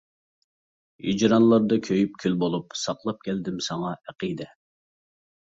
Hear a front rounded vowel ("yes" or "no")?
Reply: yes